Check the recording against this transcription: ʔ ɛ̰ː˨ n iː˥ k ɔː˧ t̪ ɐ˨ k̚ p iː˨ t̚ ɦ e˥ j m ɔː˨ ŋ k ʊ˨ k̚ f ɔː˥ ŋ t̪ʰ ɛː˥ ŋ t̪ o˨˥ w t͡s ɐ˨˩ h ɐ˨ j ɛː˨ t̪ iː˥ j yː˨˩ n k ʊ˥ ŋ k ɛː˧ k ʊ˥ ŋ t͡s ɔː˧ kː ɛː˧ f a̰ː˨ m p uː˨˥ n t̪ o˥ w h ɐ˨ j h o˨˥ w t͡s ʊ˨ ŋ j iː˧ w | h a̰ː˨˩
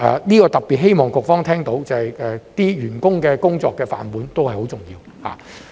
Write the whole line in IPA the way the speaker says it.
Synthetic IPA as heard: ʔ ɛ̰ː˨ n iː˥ k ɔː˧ t̪ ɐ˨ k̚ p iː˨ t̚ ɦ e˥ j m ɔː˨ ŋ k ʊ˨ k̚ f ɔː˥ ŋ t̪ʰ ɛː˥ ŋ t̪ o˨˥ w t͡s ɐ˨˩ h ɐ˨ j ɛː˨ t̪ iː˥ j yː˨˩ n k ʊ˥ ŋ k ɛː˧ k ʊ˥ ŋ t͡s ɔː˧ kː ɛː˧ f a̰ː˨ n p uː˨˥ n t̪ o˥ w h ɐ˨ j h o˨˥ w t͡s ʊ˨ ŋ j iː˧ w | h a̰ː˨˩